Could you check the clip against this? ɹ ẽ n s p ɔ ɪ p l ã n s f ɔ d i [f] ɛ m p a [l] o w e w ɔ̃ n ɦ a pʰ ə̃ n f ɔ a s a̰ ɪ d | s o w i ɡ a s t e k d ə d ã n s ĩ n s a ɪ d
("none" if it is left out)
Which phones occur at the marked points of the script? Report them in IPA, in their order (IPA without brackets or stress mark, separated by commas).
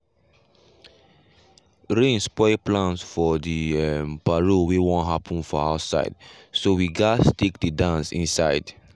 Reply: none, ɹ